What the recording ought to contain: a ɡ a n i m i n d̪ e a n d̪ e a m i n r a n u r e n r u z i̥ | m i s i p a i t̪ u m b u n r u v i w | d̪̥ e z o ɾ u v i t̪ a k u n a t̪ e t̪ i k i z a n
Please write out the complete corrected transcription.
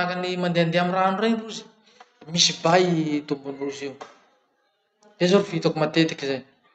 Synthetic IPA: a k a n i m a n d̪ e a n d̪ e a m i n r a n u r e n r u z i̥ | m i s i b a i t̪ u m b u n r u z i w | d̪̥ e z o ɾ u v i t̪ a k u m a t̪ e t̪ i k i z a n